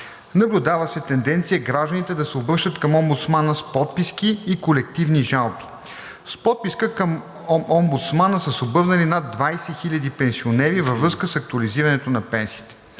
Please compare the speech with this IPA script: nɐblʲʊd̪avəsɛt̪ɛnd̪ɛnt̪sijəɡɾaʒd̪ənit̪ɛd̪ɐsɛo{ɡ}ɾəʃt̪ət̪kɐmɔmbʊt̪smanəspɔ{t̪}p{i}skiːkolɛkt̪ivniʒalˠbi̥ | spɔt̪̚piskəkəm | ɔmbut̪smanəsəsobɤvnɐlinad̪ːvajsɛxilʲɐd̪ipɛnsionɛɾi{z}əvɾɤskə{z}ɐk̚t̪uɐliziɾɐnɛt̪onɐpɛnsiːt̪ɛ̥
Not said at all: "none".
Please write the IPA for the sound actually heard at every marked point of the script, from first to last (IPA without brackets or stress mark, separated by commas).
b, t̪, i, v, s